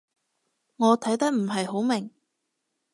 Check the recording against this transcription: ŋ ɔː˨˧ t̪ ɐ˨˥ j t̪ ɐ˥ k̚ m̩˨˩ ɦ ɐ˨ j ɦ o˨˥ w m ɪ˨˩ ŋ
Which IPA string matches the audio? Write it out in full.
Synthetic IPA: ŋ ɔː˨˧ t̪ʰ ɐ˨˥ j t̪ ɐ˥ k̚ m̩˨˩ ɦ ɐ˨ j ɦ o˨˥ w m ɪ˨˩ ŋ